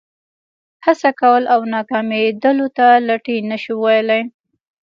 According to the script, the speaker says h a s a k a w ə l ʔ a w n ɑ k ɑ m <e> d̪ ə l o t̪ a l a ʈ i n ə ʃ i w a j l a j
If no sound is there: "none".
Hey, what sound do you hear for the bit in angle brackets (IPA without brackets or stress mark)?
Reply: e